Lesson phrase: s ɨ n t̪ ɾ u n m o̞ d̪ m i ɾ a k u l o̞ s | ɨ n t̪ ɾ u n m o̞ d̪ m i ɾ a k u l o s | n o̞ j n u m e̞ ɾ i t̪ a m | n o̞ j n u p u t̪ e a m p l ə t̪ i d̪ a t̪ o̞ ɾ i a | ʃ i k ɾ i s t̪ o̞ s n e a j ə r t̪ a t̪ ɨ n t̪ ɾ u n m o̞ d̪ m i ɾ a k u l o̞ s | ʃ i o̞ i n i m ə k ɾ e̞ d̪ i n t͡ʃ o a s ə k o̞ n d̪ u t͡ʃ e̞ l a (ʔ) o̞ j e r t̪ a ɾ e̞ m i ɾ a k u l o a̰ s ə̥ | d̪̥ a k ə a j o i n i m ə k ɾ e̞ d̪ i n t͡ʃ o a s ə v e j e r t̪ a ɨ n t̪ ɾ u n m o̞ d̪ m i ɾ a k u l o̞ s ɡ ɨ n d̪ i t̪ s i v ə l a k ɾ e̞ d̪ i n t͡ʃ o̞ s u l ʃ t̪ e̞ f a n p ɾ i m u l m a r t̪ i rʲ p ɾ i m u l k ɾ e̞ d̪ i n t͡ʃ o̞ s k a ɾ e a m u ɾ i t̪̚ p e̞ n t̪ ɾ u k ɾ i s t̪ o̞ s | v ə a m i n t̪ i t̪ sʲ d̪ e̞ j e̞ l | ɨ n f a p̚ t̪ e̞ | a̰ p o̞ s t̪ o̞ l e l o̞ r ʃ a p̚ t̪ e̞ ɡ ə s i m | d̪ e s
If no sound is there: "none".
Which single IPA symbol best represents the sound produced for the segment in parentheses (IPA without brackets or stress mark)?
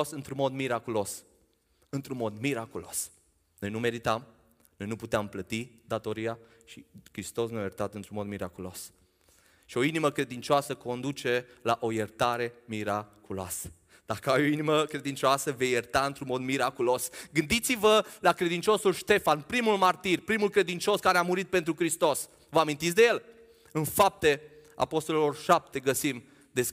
ʔ